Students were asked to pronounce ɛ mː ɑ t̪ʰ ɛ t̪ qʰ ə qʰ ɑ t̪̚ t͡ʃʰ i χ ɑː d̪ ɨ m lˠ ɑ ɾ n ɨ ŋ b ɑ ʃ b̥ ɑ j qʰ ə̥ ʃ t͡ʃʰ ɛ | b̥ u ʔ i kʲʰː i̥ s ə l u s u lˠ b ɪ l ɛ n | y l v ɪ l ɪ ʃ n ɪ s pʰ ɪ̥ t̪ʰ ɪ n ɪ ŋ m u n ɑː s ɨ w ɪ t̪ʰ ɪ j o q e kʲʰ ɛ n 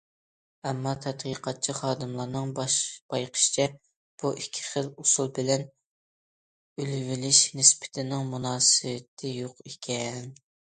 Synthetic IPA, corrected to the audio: ɛ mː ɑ t̪ʰ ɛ t̪ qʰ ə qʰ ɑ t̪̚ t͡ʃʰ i χ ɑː d̪ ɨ m lˠ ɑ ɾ n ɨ ŋ b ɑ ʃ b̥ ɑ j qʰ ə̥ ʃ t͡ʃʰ ɛ | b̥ u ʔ i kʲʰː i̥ χ ə l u s u lˠ b ɪ l ɛ n | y l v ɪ l ɪ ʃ n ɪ s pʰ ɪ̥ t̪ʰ ɪ n ɪ ŋ m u n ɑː s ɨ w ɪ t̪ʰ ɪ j o q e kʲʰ ɛ n